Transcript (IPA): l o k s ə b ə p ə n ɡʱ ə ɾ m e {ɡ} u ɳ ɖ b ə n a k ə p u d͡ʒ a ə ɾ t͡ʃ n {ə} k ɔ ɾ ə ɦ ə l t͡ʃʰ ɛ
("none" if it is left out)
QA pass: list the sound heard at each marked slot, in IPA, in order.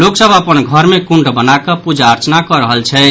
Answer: k, a

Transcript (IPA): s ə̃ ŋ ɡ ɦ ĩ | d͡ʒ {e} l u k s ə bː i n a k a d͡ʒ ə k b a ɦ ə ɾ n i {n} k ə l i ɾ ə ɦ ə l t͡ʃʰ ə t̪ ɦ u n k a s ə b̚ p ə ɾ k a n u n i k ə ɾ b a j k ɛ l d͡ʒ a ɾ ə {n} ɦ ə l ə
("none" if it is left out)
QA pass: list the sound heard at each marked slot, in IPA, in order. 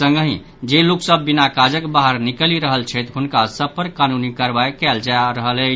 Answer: e, none, none

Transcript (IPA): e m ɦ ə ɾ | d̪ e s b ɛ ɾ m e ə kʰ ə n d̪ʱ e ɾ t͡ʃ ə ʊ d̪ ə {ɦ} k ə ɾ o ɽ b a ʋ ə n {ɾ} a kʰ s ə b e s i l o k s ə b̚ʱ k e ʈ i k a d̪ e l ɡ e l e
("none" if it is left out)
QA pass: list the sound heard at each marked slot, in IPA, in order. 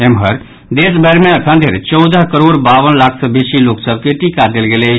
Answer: ɦ, l

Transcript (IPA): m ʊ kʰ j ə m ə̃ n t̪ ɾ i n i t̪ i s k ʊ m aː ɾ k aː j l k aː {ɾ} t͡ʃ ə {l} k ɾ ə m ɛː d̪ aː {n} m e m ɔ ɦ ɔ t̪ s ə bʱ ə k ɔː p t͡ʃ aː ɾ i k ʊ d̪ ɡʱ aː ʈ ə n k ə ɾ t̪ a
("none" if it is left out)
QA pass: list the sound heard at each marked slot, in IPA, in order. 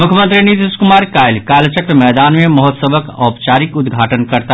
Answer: l, none, n

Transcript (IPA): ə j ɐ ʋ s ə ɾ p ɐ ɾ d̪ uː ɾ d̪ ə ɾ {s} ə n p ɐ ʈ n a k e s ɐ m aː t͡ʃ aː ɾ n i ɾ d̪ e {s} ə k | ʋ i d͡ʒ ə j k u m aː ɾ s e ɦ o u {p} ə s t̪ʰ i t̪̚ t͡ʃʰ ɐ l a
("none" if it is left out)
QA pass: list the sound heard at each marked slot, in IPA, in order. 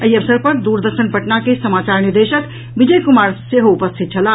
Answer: ʃ, ʃ, p

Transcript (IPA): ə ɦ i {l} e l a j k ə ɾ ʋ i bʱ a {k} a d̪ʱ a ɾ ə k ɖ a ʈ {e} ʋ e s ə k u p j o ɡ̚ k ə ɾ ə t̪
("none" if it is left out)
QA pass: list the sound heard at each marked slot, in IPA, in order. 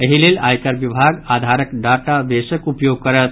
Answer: l, ɡ, a

